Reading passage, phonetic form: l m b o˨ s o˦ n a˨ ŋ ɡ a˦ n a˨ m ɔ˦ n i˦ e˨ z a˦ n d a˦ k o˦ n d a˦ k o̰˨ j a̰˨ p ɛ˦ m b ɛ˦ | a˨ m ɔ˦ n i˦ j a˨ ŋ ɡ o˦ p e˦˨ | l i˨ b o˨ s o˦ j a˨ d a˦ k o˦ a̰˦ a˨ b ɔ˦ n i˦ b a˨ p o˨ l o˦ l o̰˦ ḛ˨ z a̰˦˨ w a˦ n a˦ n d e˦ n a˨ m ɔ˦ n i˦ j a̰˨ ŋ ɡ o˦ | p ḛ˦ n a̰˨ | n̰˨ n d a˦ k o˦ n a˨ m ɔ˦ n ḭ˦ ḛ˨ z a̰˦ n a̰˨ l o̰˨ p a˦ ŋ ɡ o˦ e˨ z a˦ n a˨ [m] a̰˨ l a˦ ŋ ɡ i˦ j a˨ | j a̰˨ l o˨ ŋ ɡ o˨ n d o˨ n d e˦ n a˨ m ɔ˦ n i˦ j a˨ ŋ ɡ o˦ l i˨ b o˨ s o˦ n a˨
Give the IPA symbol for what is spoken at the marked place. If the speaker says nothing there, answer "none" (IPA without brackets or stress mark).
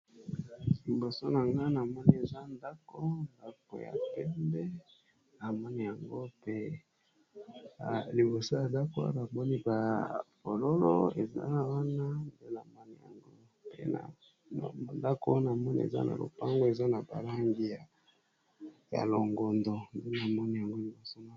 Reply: b